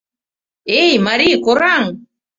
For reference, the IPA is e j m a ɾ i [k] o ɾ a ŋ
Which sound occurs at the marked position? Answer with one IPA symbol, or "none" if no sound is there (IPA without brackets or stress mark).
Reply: k